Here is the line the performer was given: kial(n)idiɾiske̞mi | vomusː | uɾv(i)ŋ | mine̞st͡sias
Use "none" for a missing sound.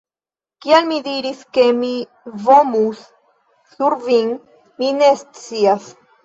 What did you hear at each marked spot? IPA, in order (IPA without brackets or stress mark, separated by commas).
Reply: m, i